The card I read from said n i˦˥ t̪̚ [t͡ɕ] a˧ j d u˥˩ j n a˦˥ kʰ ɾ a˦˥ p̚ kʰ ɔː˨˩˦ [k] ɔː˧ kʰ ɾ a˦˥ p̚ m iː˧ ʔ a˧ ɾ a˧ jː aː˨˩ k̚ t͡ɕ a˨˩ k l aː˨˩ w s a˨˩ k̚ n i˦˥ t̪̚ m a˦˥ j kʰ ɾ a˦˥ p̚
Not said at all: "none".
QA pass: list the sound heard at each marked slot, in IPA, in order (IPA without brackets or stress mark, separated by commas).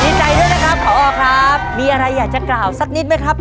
t͡ɕ, ʔ